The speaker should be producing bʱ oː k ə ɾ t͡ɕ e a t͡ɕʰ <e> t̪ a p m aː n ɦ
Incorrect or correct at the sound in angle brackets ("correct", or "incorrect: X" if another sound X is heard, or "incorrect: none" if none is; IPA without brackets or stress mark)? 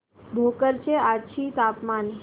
incorrect: i